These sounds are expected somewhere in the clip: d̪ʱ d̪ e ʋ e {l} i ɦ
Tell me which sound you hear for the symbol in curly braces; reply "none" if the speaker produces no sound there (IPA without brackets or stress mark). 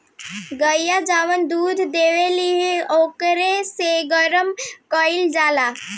l